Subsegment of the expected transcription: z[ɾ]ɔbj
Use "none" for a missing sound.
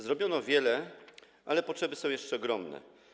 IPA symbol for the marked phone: ɾ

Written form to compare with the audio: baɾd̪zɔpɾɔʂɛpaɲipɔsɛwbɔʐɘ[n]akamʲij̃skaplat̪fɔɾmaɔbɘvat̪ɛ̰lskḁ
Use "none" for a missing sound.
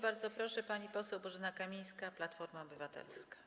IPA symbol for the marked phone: n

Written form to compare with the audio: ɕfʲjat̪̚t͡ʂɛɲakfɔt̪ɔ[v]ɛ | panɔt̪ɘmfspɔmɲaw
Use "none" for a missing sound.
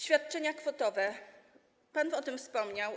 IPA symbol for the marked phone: v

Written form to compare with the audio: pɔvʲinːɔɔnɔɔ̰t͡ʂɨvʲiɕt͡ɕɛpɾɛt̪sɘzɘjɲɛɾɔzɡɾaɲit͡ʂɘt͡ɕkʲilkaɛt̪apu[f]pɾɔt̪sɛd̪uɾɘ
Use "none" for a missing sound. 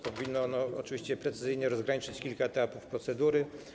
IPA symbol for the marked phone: f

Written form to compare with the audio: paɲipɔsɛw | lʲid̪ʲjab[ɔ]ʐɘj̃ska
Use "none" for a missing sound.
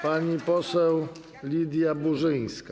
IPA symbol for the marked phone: u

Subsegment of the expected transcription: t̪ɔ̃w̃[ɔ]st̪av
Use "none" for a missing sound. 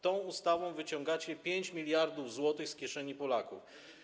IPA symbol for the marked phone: u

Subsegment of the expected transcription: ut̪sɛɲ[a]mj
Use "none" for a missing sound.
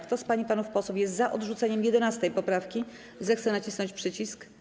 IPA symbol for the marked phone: ɛ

